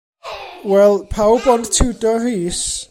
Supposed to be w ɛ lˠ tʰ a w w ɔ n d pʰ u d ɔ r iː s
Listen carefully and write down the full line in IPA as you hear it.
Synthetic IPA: w ɛ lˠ pʰ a w b ɔ n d tʰ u d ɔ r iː s